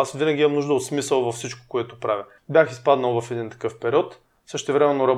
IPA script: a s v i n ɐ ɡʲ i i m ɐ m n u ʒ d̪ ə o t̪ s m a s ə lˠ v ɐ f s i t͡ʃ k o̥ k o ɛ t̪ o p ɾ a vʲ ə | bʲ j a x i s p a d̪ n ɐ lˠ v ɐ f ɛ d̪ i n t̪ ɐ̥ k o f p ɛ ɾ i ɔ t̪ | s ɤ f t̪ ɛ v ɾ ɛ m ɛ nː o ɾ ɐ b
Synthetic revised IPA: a s v i n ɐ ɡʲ i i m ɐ m n u ʒ d̪ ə o t̪ s m i s ə lˠ v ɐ f s i t͡ʃ k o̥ k o ɛ t̪ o p ɾ a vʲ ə | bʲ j a x i s p a d̪ n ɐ lˠ v ɐ f ɛ d̪ i n t̪ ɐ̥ k ɤ f p ɛ ɾ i ɔ t̪ | s ɤ ʃ t̪ ɛ v ɾ ɛ m ɛ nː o ɾ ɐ b